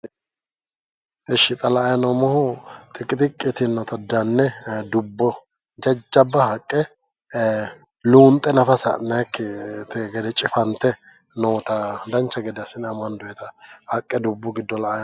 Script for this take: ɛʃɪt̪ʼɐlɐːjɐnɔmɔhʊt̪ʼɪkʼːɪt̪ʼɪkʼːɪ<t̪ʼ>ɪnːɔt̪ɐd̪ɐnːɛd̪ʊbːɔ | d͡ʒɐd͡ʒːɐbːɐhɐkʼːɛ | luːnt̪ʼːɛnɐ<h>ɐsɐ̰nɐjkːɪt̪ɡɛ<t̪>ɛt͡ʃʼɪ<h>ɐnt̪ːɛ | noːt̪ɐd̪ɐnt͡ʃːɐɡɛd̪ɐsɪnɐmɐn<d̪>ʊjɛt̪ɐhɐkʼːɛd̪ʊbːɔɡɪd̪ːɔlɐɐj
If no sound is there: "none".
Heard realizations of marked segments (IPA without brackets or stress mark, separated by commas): t̪, f, d̪, f, d̪